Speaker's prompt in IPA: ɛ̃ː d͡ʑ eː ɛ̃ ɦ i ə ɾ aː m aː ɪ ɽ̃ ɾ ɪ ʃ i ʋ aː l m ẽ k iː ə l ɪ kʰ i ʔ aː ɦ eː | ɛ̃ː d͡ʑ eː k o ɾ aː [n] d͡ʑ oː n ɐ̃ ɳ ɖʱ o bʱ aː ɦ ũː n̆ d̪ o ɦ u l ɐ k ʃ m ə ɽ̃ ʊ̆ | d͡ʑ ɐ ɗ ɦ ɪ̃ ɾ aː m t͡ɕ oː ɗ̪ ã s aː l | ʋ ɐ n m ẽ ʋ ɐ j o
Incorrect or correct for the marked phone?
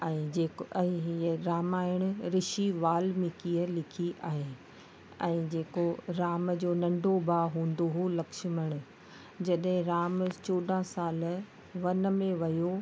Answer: incorrect: m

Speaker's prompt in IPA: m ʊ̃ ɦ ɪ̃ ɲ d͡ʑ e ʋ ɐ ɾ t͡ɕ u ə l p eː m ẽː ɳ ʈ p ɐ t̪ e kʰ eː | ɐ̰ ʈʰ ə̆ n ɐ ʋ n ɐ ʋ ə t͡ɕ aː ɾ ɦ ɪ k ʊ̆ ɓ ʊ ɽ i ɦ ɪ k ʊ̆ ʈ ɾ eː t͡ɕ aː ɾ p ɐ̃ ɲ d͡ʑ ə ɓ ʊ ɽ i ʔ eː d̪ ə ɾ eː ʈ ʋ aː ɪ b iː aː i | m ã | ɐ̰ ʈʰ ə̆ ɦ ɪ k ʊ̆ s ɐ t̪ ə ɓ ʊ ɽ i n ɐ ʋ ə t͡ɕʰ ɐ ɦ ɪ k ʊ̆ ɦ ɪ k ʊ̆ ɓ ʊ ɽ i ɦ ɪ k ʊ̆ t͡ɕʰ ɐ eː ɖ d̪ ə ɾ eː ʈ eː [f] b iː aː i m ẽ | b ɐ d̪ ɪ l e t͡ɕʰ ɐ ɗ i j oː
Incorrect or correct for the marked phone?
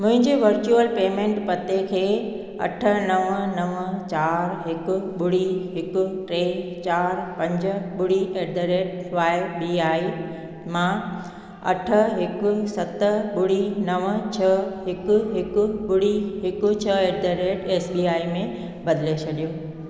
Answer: incorrect: s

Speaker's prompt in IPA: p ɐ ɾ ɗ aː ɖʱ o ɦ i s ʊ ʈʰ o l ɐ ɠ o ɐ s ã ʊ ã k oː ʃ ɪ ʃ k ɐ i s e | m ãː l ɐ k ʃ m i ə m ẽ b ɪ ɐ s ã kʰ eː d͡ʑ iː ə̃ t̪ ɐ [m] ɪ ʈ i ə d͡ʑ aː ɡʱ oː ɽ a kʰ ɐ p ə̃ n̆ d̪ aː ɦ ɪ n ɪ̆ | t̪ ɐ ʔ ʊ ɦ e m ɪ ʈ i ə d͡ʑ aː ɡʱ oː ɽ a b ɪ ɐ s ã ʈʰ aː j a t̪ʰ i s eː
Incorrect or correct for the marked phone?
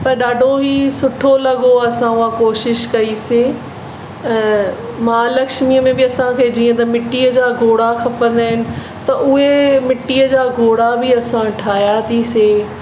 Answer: correct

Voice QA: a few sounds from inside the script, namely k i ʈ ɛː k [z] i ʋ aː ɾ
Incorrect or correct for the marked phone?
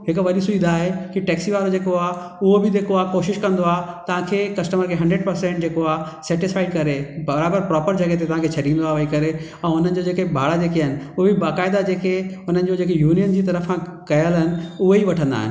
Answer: incorrect: s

